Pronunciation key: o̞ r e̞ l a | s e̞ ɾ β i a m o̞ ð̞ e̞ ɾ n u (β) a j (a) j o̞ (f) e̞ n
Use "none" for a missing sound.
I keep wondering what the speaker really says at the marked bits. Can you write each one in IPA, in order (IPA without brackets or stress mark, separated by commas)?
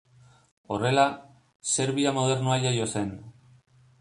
none, a, s